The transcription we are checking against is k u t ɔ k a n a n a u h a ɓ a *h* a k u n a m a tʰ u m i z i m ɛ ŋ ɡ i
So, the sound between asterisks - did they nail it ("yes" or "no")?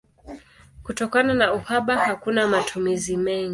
yes